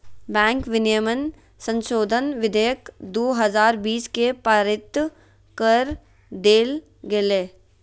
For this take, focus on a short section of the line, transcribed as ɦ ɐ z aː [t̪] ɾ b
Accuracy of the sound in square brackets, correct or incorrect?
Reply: incorrect